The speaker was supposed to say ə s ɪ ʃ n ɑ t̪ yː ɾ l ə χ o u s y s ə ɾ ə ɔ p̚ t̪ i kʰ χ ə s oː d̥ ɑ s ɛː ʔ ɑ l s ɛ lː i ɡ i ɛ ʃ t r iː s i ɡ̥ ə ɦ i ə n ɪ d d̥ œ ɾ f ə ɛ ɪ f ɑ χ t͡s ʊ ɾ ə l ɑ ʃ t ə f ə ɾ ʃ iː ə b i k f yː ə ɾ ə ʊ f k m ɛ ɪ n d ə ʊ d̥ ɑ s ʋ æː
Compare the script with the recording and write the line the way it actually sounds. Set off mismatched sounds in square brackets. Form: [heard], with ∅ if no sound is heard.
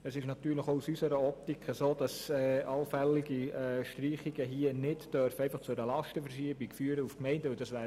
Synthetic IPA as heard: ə s ɪ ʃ n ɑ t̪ yː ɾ l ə χ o u s y s ə ɾ ə ɔ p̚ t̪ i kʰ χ ə s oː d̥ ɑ s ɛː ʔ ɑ l [f] ɛ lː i ɡ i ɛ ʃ t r iː [χ] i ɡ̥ ə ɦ i ə n ɪ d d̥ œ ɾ f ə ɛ ɪ f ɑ χ t͡s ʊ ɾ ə l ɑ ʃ t ə f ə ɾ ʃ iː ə b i k f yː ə ɾ ə [u] f k m ɛ ɪ n d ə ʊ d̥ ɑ s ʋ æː